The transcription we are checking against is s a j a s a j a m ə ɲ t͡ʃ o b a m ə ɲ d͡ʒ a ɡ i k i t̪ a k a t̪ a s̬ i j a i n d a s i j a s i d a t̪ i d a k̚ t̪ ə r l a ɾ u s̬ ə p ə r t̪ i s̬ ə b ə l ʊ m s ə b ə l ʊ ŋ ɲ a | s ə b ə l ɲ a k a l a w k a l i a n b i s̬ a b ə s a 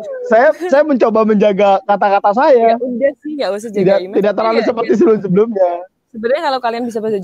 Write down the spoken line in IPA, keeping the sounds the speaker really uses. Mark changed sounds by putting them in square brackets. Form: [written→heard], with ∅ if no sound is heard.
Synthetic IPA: s a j a s a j a m ə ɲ t͡ʃ o b a m ə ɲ d͡ʒ a ɡ [i→a] k [i→a] t̪ a k a t̪ a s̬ [i→a] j a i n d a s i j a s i d a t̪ i d a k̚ t̪ ə r l a [ɾ→l] u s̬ ə p ə r t̪ i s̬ ə b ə l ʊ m s ə b ə l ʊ [ŋ→m] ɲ a | s ə b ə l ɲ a k a l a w k a l i a n b i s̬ a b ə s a